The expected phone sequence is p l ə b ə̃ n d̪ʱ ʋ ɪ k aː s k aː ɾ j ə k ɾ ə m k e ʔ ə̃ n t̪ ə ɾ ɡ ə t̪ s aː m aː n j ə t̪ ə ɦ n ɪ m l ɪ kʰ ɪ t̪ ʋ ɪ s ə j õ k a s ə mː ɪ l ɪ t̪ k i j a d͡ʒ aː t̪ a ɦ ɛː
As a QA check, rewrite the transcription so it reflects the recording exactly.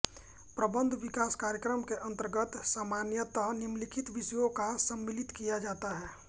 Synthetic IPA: p ɾ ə b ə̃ n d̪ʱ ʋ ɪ k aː s k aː ɾ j ə k ɾ ə m k e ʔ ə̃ n t̪ ə ɾ ɡ ə t̪ s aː m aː n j ə t̪ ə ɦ n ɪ m l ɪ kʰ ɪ t̪ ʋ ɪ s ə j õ k a s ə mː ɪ l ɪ t̪ k i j a d͡ʒ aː t̪ a ɦ ɛː